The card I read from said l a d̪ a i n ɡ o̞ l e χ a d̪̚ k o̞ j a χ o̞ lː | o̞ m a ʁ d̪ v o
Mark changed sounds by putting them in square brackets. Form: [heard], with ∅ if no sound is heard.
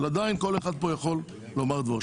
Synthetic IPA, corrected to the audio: l a d̪ a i n [k] o̞ l e χ a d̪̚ [p] o̞ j a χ o̞ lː | o̞ m a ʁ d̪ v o